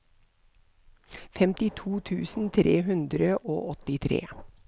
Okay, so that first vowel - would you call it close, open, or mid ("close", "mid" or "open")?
mid